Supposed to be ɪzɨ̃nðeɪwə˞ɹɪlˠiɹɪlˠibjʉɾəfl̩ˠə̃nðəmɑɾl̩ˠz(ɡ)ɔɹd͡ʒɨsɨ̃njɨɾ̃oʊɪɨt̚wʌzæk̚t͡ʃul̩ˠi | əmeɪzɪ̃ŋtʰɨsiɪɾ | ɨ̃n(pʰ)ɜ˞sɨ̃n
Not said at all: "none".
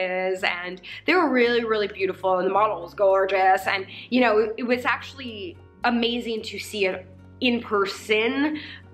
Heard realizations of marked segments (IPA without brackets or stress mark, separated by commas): ɡ, pʰ